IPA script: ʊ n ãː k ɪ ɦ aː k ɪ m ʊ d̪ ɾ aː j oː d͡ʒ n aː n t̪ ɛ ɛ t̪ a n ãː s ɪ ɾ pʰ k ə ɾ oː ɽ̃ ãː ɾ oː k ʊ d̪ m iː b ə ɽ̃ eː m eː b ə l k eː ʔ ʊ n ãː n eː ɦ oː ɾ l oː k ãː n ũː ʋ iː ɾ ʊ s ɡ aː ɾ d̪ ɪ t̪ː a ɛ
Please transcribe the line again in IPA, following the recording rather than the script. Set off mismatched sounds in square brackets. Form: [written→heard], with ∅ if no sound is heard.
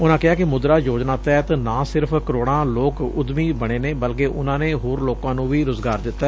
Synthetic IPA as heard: ʊ n ãː k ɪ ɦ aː k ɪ m ʊ d̪ ɾ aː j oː d͡ʒ n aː [n→∅] t̪ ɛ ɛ t̪ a n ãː s ɪ ɾ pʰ k ə ɾ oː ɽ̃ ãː [ɾ→l] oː k ʊ d̪ m iː b ə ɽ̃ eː [m→n] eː b ə l k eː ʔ ʊ n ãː n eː ɦ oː ɾ l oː k ãː n ũː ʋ iː ɾ ʊ [s→z] ɡ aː ɾ d̪ ɪ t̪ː a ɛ